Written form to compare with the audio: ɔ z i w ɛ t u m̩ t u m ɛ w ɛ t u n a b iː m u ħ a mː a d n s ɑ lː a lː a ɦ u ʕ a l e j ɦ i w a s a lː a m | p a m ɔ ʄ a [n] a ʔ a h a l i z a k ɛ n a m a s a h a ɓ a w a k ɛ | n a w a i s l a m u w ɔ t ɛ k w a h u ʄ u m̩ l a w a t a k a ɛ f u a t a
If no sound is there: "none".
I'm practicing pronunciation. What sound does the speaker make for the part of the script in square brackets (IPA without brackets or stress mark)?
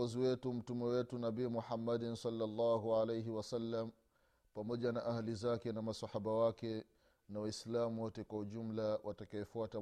n